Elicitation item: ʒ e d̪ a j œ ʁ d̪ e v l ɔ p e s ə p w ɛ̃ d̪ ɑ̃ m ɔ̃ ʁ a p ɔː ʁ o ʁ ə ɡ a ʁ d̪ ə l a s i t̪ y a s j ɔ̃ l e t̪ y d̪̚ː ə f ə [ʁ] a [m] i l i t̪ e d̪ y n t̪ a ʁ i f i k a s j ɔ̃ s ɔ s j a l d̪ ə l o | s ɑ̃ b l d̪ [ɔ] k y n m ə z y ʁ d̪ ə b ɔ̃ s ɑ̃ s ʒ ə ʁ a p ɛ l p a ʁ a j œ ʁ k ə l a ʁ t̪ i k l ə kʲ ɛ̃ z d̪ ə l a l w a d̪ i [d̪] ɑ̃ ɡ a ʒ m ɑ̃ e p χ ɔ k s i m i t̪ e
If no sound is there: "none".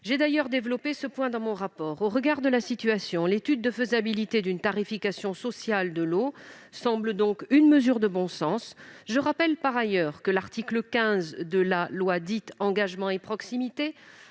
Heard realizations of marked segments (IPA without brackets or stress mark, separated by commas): z, b, ɔ̃, t̪